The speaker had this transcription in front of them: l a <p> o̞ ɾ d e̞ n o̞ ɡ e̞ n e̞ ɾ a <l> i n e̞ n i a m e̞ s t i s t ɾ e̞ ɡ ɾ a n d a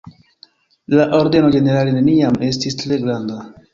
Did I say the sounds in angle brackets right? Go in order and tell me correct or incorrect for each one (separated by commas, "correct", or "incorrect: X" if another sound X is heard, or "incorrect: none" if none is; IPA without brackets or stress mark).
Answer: incorrect: ʔ, correct